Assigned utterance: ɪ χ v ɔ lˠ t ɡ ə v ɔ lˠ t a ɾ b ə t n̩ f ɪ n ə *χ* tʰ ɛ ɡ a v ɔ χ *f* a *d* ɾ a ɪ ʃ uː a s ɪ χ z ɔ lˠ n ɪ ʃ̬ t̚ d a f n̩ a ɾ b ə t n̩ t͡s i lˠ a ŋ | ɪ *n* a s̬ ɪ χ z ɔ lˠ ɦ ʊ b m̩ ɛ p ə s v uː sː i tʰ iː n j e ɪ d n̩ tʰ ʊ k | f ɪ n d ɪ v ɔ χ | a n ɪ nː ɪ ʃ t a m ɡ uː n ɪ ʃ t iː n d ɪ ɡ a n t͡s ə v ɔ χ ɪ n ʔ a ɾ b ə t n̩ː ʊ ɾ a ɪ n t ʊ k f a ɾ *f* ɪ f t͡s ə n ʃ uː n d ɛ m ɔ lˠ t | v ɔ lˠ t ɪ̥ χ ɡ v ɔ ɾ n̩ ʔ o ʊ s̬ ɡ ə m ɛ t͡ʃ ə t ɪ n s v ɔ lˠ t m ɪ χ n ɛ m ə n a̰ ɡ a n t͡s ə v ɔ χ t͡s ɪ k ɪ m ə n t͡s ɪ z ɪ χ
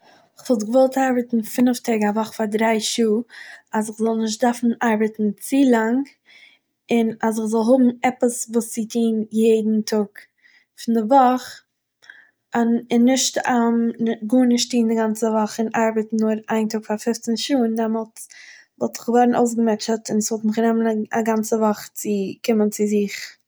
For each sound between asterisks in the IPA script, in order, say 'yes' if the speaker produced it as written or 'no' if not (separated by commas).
no, yes, yes, yes, yes